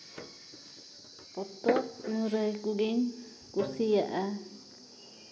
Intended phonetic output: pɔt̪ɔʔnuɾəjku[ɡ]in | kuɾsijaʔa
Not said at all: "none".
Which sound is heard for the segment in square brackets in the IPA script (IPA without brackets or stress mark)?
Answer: ɡ